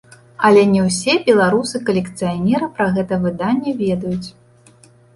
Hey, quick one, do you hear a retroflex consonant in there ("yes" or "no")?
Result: no